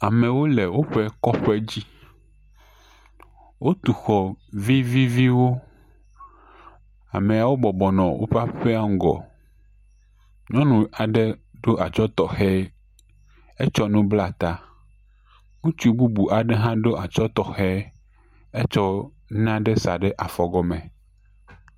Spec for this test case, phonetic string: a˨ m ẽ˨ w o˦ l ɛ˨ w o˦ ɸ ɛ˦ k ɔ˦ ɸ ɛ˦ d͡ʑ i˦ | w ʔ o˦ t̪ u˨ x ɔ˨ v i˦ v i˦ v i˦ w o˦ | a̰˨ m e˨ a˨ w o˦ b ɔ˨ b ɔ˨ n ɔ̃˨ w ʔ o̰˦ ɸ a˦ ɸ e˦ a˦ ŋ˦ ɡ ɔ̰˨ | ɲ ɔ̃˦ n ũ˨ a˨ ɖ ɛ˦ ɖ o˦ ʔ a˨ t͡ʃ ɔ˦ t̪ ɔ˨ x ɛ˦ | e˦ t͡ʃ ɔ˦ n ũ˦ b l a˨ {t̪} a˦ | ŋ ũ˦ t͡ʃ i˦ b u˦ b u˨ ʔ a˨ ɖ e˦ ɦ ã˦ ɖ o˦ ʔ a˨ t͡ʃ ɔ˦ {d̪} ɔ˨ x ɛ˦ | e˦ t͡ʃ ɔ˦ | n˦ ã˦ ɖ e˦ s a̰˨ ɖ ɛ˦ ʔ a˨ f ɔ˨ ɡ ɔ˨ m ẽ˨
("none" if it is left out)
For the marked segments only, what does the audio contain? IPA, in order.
t̪, t̪

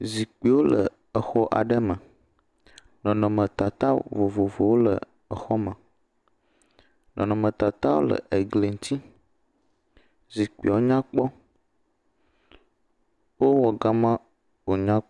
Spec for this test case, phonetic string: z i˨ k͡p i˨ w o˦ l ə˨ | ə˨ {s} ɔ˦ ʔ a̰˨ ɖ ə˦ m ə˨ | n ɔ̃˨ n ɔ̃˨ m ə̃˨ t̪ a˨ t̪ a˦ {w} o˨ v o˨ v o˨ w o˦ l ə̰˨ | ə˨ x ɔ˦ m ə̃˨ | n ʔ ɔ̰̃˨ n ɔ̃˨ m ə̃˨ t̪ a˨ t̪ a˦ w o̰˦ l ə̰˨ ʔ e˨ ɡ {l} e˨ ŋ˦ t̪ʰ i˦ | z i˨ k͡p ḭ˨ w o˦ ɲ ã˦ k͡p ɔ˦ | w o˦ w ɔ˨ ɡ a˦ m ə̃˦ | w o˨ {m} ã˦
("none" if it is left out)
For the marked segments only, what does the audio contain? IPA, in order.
x, v, l, ɲ

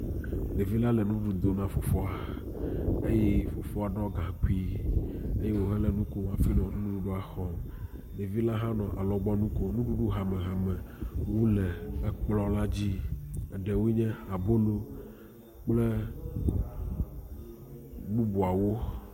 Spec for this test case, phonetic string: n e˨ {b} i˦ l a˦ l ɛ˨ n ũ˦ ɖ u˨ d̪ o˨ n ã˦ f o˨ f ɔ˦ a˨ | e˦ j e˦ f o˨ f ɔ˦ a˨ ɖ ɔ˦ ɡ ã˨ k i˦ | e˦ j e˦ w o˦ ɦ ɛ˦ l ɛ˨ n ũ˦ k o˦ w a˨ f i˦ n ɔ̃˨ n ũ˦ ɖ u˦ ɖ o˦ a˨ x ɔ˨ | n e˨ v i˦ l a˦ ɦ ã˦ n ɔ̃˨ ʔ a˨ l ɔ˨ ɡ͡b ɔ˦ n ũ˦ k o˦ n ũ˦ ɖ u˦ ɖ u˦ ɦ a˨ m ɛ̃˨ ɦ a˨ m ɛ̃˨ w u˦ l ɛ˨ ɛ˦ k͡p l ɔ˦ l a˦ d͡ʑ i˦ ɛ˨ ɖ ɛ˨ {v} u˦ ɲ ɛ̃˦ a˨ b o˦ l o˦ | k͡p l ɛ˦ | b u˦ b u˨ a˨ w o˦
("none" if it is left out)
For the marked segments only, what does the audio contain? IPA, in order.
v, w

